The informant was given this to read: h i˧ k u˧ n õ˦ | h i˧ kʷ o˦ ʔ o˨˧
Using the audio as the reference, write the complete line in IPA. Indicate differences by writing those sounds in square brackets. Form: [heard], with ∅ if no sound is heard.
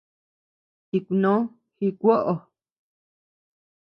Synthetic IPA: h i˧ k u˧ n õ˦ | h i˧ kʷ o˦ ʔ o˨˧